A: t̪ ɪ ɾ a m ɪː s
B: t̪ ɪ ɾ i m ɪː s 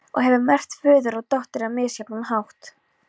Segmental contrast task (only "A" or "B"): A